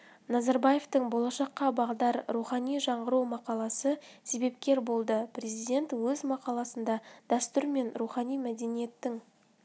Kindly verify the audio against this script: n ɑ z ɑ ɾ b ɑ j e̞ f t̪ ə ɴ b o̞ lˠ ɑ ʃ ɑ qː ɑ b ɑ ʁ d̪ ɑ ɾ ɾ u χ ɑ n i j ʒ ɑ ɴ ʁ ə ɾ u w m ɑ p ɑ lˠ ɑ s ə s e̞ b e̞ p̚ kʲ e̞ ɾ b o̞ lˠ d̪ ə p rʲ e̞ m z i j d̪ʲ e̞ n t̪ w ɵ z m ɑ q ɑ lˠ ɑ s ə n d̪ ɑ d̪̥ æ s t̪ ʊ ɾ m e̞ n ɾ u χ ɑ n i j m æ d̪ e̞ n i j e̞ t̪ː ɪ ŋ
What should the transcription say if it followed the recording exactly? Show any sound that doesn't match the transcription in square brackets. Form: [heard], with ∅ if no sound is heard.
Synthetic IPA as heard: n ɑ z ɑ ɾ b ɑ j e̞ f t̪ ə ɴ b o̞ lˠ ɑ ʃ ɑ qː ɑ b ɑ ʁ d̪ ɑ ɾ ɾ u χ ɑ n i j ʒ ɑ ɴ ʁ ə ɾ u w m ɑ [q] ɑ lˠ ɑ s ə s e̞ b e̞ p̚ kʲ e̞ ɾ b o̞ lˠ d̪ ə p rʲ e̞ [∅] z i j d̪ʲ e̞ n t̪ w ɵ z m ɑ q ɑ lˠ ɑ s ə n d̪ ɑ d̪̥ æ s t̪ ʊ ɾ m e̞ n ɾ u χ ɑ n i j m æ d̪ e̞ n i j e̞ t̪ː ɪ ŋ